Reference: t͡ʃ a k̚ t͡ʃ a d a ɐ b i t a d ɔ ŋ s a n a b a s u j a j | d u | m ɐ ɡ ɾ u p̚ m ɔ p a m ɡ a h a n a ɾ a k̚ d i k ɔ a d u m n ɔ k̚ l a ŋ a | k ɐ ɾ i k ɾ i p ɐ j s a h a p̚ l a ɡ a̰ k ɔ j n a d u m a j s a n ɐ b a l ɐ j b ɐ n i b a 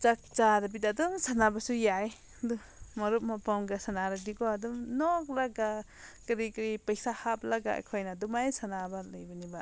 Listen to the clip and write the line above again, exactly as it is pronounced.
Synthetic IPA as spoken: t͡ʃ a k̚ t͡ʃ a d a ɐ b i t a d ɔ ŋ s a n a b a s u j a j | d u | m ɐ ɾ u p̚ m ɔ p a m ɡ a s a n a ɾ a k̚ d i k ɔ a d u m n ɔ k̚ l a ɡ a | k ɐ ɾ i k ɾ i p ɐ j s a h a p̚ l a ɡ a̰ kʰ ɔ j n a d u m a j s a n a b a l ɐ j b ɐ n i b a